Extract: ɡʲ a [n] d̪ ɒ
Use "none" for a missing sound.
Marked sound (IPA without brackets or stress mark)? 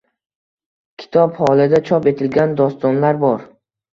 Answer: n